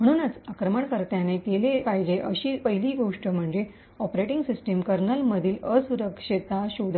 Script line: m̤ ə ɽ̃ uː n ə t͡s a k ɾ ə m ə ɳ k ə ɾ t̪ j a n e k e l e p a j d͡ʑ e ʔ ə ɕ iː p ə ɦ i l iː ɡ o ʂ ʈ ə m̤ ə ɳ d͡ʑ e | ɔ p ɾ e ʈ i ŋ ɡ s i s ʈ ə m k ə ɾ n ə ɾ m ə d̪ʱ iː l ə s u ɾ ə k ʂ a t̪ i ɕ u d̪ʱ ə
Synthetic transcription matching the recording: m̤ ə ɽ̃ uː n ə t͡s a k ɾ ə m ə ɳ k ə ɾ t̪ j a n e k e l e p a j d͡ʑ e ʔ ə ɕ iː p ə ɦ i l iː ɡ o ʂ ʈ ə m̤ ə ɳ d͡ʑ e | ɔ p ɾ e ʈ i ŋ ɡ s i s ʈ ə m k ə ɾ n ə l m ə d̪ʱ iː l ə s u ɾ ə k ʂ i t̪ a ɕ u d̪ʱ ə